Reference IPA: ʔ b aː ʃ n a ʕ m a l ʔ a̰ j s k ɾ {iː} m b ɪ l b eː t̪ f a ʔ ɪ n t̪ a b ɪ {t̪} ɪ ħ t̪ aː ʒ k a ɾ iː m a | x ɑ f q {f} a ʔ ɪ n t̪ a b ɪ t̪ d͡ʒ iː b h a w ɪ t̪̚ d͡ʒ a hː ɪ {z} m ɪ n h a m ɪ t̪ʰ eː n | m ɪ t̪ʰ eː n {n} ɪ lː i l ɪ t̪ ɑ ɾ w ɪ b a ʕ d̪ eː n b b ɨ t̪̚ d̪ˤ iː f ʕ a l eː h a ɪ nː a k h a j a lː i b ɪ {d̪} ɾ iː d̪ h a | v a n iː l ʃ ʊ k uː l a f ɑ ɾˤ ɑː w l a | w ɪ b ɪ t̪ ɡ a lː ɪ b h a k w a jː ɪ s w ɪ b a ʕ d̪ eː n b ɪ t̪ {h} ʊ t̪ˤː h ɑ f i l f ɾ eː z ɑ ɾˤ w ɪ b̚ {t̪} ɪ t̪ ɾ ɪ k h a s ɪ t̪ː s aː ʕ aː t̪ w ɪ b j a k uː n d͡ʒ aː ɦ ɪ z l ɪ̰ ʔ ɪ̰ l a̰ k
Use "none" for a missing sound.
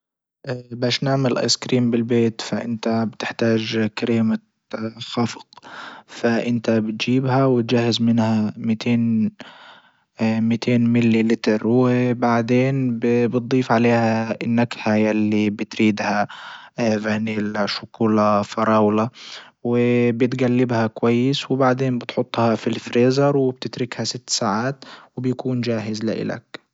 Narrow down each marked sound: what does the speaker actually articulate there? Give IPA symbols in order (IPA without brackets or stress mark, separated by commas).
iː, t̪, f, z, m, t̪, ħ, t̪